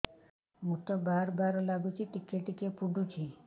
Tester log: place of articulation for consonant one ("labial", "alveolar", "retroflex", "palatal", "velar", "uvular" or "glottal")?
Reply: labial